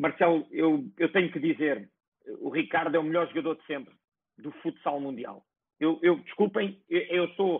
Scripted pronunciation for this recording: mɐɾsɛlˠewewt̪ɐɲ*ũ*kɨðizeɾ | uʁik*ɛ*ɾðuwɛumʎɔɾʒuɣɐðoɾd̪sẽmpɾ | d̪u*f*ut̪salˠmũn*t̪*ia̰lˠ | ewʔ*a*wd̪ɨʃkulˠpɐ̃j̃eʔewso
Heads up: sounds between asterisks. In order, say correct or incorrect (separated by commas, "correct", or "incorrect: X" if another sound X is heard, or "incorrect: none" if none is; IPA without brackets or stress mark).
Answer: incorrect: u, incorrect: a, correct, incorrect: d̪, incorrect: e